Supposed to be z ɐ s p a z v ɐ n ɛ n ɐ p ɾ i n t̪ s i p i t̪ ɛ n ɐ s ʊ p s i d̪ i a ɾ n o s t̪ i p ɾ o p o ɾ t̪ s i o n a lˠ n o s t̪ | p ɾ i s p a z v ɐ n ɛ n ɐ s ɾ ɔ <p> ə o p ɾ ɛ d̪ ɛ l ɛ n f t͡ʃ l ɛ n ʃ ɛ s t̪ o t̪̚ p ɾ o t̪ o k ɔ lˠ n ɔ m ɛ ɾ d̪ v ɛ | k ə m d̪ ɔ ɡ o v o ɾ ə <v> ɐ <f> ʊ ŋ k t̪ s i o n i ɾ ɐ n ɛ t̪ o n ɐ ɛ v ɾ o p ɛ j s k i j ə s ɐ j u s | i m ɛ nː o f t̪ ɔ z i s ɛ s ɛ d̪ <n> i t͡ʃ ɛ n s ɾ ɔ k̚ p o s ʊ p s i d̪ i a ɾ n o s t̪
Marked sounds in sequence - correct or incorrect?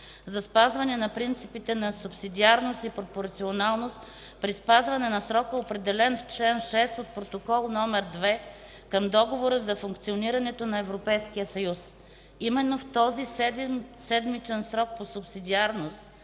incorrect, incorrect, correct, incorrect

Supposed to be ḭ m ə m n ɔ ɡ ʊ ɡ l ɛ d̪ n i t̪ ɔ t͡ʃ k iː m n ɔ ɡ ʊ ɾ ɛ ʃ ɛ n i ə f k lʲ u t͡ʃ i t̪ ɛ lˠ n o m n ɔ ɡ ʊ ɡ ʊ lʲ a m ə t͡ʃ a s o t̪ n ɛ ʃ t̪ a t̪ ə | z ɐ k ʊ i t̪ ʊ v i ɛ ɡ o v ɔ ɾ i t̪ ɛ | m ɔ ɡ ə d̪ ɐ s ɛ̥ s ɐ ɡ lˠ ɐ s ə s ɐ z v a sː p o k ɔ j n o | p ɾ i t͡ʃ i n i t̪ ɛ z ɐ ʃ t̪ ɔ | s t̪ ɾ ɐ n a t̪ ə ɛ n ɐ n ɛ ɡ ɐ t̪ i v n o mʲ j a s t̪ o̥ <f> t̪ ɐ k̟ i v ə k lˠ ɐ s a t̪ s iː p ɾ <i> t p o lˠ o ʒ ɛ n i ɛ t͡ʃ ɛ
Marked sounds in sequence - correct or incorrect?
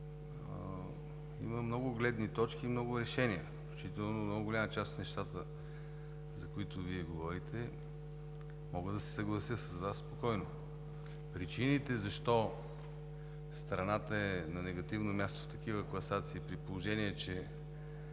correct, correct

